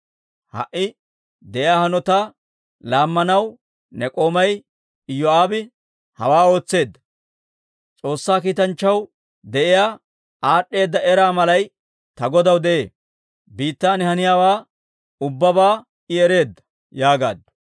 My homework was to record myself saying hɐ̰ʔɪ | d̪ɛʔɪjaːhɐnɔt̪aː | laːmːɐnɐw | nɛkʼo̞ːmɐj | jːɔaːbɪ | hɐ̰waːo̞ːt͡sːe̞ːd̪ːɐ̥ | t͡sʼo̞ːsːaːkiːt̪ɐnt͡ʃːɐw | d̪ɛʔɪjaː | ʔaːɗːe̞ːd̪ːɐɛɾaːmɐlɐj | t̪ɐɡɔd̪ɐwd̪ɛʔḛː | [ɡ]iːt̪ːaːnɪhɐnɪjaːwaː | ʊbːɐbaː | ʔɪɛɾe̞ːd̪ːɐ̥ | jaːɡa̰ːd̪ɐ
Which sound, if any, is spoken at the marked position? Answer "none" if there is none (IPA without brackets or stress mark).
b